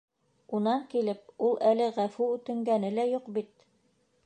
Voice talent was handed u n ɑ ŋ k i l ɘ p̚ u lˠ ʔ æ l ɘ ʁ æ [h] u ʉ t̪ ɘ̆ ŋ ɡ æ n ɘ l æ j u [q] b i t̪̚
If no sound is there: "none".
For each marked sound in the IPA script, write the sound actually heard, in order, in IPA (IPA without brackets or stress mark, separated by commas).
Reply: f, q